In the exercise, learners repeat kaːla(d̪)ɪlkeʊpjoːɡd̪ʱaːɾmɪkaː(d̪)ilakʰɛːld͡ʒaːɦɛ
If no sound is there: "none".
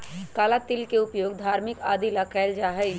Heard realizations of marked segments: t̪, d̪

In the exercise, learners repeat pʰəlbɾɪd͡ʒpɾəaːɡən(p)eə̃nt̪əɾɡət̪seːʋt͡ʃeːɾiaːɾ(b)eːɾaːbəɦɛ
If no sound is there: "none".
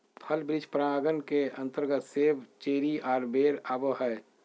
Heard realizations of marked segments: k, b

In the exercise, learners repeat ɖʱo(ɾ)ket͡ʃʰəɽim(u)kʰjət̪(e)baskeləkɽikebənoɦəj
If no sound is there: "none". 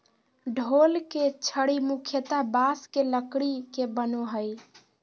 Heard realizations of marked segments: l, u, a

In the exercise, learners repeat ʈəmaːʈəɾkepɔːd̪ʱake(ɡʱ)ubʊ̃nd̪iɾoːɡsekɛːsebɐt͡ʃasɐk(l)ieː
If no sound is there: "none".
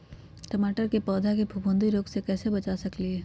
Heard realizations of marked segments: bʱ, l

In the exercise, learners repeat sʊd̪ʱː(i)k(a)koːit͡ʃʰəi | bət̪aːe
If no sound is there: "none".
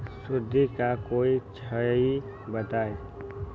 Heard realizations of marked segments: i, a

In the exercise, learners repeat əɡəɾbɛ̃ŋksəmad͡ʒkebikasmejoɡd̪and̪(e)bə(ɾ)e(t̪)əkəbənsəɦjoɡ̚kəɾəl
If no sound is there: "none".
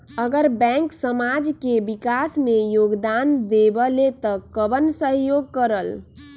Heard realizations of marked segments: e, l, t̪

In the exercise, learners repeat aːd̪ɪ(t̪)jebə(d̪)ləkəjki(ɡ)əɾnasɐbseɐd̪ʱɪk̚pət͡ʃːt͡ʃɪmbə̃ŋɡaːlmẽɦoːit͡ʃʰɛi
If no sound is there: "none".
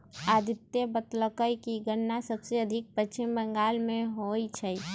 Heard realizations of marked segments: t̪, t̪, ɡ

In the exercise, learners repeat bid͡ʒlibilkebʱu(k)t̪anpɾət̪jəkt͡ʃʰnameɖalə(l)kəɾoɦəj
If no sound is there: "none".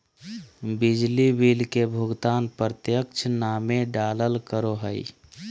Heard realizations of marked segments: ɡ, l

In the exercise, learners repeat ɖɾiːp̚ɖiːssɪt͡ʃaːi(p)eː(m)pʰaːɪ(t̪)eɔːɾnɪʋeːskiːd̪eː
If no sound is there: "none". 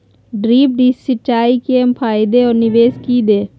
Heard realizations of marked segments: k, m, d̪

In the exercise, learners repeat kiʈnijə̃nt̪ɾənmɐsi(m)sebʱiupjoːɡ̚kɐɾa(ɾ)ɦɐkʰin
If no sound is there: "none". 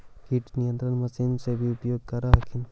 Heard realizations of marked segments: n, none

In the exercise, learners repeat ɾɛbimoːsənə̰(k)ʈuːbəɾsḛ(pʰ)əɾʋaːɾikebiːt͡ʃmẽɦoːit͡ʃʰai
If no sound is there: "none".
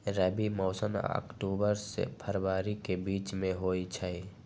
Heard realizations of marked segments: k, pʰ

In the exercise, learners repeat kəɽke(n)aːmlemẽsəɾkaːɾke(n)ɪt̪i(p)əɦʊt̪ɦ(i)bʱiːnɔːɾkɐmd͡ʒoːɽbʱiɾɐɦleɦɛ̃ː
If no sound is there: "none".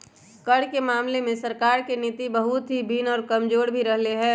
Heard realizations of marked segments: m, n, b, i

